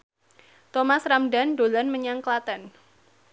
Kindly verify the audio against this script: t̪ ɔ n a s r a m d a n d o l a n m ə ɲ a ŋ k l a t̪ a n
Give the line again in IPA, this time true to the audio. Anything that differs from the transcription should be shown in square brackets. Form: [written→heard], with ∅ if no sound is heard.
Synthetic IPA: t̪ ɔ [n→m] a s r a m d a n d o l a n m ə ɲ a ŋ k l a t̪ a n